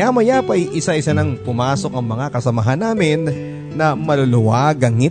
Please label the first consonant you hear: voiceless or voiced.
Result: voiced